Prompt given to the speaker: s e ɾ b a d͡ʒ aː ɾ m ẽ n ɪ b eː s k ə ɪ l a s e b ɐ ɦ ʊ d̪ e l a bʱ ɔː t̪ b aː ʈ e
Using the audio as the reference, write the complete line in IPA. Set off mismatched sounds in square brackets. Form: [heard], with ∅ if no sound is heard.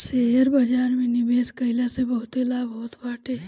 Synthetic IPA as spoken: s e ɾ b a d͡ʒ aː ɾ m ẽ n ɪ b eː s k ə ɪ l a s e b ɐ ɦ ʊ [t̪] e l a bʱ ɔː t̪ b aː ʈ e